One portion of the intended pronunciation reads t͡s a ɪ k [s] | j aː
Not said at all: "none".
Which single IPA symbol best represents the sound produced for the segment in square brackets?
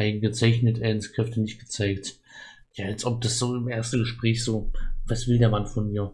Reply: t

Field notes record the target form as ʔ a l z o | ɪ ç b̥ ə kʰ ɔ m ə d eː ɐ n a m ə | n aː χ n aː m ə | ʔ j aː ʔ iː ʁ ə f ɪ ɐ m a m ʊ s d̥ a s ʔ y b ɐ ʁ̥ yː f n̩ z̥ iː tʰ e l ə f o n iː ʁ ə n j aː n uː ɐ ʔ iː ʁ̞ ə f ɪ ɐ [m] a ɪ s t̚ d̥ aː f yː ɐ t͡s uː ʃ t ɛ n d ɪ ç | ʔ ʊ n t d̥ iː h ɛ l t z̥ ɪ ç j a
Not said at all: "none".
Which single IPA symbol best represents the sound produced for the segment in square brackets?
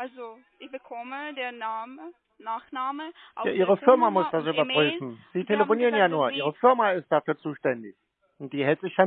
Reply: m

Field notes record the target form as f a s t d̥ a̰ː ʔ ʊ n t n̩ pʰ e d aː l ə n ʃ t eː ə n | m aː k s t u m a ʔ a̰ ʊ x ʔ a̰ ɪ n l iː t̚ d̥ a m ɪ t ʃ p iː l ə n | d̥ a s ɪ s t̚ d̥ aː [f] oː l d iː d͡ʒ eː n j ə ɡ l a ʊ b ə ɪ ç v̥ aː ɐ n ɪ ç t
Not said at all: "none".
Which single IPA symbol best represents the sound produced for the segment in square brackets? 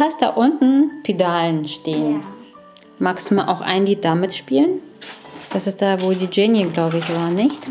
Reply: v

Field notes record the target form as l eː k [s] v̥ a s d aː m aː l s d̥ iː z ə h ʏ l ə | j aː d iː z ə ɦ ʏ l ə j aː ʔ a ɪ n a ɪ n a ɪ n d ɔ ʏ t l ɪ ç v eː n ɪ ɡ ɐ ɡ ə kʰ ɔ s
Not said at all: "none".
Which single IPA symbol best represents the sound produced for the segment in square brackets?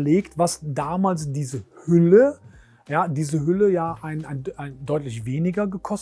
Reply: t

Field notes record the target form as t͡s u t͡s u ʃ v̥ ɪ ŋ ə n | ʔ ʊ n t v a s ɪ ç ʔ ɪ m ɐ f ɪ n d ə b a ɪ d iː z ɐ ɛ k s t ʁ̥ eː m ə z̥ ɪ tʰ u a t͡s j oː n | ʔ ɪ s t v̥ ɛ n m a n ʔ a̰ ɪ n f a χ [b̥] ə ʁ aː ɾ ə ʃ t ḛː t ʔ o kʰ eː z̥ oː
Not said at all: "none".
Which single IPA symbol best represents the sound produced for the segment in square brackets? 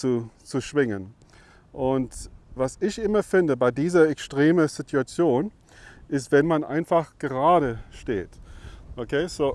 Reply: ɡ̥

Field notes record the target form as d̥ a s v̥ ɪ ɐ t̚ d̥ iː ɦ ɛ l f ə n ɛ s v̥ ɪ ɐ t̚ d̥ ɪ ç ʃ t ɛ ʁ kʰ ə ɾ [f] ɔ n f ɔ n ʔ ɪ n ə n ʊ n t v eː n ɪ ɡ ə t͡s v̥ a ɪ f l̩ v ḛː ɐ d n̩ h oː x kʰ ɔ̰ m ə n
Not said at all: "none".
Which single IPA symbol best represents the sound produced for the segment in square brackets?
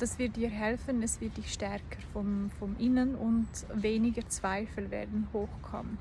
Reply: f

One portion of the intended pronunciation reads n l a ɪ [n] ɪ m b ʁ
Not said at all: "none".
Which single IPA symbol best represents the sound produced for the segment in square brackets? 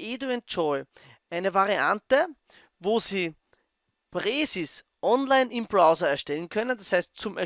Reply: n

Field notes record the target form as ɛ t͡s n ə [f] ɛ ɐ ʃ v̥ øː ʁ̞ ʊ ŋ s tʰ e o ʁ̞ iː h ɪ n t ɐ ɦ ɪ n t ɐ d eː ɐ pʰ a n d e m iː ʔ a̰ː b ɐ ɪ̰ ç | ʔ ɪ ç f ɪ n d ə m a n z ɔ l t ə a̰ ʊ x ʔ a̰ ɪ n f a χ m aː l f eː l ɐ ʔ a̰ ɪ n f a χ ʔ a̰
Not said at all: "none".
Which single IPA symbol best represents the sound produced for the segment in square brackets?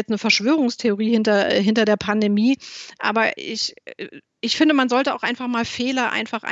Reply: f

